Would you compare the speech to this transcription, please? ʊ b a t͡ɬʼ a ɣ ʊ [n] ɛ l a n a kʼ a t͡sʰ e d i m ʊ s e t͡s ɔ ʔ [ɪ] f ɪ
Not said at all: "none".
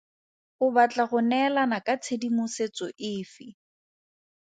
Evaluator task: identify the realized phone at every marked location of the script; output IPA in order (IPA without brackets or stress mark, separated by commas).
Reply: n, ɪː